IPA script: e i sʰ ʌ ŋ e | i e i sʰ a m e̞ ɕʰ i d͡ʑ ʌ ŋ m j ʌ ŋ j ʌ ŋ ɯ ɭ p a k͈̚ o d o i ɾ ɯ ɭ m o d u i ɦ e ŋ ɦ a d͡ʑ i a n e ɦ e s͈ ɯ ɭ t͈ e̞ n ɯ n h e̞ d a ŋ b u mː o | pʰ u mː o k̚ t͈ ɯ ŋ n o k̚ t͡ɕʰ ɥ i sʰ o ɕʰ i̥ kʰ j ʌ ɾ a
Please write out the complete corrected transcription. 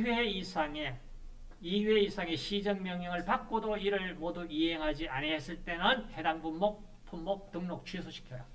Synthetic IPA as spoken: e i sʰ a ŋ e | i e i sʰ a ŋ e̞ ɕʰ i d͡ʑ ʌ ŋ m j ʌ ŋ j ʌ ŋ ɯ ɭ p a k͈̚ o d o i ɾ ɯ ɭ m o d u i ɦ e ŋ ɦ a d͡ʑ i a n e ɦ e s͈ ɯ ɭ t͈ e̞ n ɯ n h e̞ d a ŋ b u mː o | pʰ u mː o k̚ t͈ ɯ ŋ n o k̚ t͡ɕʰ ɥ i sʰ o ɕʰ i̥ kʰ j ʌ ɾ a